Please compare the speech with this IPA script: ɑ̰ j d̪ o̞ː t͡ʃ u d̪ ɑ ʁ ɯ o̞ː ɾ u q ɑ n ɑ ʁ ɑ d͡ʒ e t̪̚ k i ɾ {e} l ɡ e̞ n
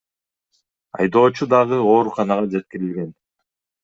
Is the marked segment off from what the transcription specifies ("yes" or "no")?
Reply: yes